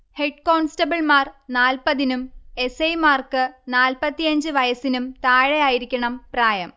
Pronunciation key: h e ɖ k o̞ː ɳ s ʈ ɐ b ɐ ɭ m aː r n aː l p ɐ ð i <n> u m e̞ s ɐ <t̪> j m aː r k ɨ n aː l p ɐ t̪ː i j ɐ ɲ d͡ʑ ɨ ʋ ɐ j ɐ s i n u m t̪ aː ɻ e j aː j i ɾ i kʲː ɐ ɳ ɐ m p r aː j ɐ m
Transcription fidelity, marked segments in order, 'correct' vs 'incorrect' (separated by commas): correct, incorrect